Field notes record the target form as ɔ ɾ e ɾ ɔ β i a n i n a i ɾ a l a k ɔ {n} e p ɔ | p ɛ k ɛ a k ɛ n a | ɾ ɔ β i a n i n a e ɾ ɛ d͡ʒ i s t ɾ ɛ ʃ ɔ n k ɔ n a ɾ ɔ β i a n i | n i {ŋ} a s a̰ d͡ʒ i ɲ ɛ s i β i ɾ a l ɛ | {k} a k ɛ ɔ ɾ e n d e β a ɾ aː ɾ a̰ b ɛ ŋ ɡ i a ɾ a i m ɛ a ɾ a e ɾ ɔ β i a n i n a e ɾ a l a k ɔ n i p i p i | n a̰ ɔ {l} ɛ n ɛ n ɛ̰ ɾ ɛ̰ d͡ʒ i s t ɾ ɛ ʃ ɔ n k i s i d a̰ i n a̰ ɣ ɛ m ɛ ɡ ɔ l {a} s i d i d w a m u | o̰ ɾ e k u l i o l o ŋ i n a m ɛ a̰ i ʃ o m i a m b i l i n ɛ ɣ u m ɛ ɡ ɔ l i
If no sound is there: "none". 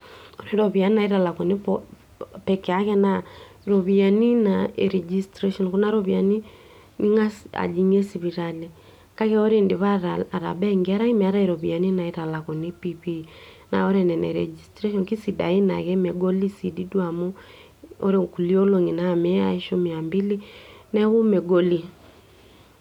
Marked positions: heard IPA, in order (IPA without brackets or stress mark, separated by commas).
n, ŋ, k, ɾ, i